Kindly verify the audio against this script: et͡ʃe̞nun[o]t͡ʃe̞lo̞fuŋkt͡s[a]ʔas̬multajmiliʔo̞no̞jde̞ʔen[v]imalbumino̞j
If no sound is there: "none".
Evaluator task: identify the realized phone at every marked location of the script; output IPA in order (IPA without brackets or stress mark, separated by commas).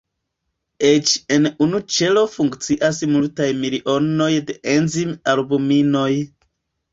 u, i, z